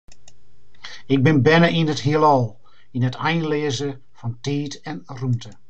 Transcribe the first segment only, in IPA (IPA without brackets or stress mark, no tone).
ɪ